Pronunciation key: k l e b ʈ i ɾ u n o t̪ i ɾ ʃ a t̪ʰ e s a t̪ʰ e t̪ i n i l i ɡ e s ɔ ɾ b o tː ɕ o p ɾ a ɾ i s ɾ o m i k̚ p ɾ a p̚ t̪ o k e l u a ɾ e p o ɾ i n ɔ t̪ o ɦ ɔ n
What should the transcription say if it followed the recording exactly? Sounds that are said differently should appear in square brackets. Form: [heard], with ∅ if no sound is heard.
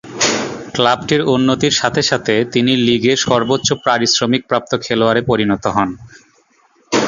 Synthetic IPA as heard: k l [a] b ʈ i ɾ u [nː] o t̪ i ɾ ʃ a t̪ʰ e [ʃ] a t̪ʰ e t̪ i n i l i ɡ e [ʃ] ɔ ɾ b o tː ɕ o p ɾ a ɾ i s ɾ o m i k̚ p ɾ a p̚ t̪ o [kʰ] e l [o] a ɾ e p o ɾ i n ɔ t̪ o ɦ ɔ n